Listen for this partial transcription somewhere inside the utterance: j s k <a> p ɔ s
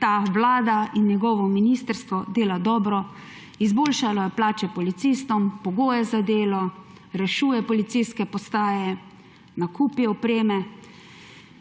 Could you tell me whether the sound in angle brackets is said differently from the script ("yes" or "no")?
yes